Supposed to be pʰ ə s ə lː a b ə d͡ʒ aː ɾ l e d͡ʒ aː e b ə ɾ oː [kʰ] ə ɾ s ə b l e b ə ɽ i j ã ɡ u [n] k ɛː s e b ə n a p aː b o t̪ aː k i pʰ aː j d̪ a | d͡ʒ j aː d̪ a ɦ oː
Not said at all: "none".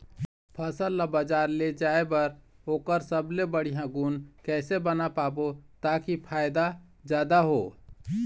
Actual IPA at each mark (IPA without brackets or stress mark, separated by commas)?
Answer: k, n